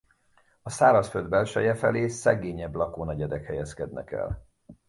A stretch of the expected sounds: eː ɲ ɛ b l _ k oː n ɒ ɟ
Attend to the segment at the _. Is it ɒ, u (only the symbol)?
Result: ɒ